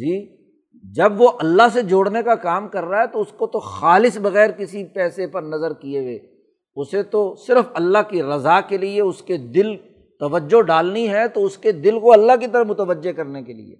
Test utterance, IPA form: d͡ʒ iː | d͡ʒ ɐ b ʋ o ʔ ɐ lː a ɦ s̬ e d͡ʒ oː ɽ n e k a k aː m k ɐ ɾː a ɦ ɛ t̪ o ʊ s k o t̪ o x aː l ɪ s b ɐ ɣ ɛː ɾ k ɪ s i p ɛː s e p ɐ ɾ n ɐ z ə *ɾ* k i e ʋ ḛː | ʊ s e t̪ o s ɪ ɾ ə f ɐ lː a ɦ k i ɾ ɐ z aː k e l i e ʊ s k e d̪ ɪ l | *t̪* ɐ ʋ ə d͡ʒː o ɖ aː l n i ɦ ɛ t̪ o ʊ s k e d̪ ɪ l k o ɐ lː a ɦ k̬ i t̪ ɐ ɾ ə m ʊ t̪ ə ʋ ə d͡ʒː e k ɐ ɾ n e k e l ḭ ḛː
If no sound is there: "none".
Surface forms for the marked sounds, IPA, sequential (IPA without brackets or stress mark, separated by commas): ɾ, t̪